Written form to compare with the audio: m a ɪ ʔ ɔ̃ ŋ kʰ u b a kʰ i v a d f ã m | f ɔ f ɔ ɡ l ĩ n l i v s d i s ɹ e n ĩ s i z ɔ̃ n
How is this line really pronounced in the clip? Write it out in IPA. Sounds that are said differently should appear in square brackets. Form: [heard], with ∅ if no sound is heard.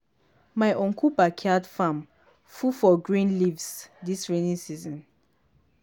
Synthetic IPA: m a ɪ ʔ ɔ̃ ŋ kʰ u b a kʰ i [∅] a d f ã m | f [u] f ɔ ɡ [ɹ] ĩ n l i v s d i s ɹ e n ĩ s i z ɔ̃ n